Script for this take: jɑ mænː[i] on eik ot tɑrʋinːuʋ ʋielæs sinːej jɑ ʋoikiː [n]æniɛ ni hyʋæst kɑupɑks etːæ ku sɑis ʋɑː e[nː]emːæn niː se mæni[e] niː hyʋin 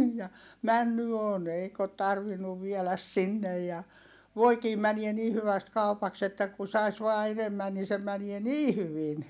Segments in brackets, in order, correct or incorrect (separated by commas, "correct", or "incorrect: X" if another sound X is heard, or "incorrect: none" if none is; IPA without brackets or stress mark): incorrect: y, incorrect: m, incorrect: n, correct